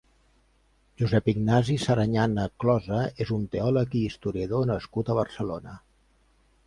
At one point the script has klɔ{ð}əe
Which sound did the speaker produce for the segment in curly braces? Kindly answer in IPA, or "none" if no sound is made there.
z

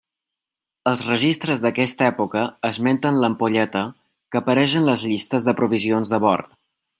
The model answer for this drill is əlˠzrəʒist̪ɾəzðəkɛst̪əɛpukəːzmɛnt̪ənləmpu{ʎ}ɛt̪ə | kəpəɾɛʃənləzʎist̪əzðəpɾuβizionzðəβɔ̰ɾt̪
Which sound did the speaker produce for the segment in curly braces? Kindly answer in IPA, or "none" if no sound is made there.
ʎ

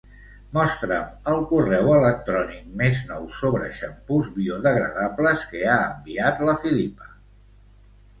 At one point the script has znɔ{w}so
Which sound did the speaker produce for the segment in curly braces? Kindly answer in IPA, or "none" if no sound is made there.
w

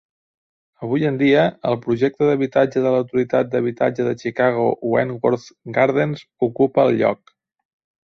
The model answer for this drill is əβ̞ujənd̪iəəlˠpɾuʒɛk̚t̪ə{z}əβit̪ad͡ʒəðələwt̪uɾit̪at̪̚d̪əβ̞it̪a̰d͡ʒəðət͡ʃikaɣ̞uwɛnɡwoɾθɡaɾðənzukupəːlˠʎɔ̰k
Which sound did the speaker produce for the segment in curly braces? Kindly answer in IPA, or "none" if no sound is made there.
ð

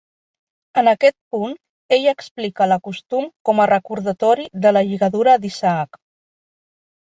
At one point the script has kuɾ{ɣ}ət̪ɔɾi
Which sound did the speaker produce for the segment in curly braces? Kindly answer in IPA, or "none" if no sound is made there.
ð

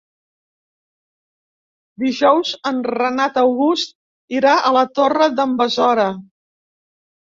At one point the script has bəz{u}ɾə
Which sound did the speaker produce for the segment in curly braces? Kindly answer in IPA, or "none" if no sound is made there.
ɔ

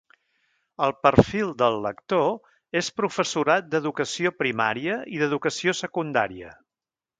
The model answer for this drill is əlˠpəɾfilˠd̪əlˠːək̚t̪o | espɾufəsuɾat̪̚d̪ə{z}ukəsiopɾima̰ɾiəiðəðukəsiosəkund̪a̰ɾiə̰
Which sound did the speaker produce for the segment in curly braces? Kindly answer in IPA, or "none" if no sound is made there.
ð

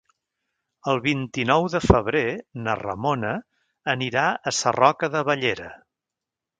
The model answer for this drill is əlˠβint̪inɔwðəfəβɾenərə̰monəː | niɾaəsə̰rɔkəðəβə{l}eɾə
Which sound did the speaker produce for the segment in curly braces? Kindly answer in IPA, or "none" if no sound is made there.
ʎ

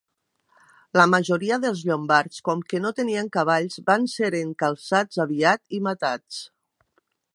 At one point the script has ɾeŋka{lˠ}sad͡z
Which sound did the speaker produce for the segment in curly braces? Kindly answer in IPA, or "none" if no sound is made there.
lˠ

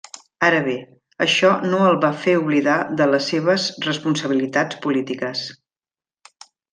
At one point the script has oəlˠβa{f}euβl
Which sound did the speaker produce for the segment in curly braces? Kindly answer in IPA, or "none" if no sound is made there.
f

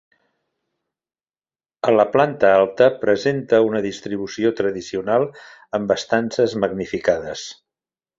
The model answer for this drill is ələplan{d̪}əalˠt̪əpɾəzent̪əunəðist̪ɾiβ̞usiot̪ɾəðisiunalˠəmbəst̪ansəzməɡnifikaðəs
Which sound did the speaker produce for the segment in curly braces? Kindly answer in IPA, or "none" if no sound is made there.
t̪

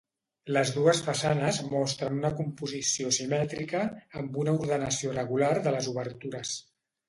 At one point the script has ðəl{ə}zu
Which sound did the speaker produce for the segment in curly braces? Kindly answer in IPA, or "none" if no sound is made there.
ə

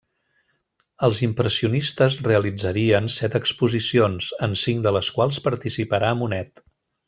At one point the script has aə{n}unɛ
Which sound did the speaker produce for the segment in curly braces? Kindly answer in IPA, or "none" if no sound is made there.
m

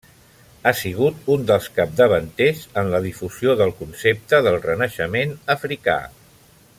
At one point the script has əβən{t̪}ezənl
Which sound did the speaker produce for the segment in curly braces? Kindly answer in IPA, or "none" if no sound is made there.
t̪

